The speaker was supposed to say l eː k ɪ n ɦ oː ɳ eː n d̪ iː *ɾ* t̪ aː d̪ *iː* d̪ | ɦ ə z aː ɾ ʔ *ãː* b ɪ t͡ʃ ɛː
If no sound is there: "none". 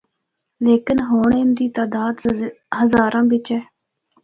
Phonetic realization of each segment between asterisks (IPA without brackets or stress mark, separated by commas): none, aː, ãː